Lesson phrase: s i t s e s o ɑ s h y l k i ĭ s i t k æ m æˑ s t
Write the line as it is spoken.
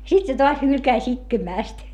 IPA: s i t s e t o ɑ s h y l k æ ĭ s i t k e m æˑ s t